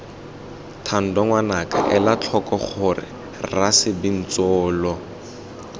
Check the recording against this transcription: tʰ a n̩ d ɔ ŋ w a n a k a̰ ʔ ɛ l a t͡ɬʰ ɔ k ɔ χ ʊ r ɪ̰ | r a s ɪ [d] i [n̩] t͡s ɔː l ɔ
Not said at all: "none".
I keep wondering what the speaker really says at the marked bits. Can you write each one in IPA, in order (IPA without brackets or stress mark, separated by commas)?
b, n̩